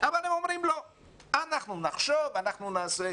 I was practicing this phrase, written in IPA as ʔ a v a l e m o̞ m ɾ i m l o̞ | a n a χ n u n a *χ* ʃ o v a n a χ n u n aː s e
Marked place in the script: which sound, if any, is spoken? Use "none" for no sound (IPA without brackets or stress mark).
χ